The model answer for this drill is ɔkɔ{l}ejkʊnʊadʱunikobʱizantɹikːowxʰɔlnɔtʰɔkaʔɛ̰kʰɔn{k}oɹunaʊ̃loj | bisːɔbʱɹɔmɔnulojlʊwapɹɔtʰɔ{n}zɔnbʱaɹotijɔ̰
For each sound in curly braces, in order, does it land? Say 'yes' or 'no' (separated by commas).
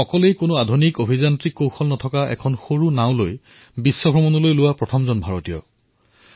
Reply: yes, no, no